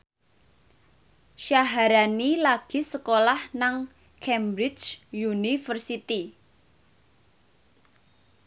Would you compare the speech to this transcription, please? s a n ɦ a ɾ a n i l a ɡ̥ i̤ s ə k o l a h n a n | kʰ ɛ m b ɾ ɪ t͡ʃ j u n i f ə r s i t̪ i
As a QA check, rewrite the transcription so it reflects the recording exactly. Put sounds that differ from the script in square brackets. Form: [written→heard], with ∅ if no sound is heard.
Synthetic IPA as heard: [s→ʃ] a [n→∅] ɦ a ɾ a n i l a ɡ̥ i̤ s ə k o l a h n a [n→ŋ] | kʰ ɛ m b ɾ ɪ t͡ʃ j u n i f ə r s i t̪ i